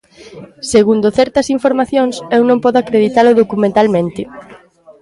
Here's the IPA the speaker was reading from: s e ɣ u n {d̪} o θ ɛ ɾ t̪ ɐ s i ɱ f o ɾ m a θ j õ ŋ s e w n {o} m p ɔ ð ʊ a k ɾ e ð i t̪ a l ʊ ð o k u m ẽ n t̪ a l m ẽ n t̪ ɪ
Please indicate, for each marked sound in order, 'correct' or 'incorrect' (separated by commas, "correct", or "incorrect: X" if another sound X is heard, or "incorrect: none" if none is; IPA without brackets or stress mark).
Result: correct, incorrect: õ